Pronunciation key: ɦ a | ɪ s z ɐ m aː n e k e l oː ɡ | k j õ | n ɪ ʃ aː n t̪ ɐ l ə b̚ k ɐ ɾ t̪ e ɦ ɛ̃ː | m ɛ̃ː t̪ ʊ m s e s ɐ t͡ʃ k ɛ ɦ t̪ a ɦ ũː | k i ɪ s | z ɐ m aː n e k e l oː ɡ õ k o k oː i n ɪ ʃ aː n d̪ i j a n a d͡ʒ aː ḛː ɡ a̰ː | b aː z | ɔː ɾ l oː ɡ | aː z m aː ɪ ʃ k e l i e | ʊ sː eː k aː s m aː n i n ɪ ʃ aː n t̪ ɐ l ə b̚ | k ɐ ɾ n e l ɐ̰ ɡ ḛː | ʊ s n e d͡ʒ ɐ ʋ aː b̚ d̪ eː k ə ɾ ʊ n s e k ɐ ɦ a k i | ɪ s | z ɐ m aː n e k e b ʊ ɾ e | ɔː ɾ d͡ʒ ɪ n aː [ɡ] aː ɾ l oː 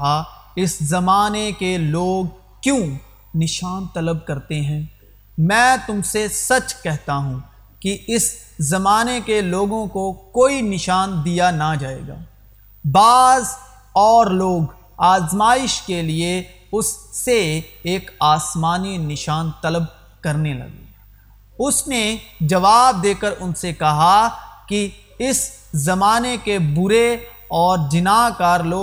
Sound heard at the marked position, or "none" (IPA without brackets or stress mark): k